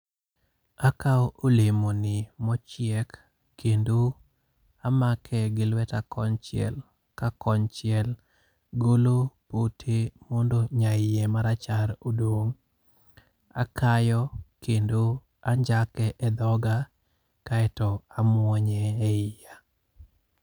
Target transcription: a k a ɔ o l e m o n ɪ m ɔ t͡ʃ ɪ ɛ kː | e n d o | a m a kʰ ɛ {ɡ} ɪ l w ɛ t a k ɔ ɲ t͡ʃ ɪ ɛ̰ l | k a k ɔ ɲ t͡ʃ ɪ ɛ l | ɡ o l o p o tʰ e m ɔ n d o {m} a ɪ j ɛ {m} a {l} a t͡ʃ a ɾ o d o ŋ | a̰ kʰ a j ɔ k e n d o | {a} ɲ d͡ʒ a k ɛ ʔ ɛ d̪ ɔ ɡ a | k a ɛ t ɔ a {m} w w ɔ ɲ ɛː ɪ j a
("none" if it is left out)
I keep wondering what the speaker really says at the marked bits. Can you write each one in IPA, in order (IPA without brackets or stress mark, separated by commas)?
ɡ, ɲ, m, ɾ, a, m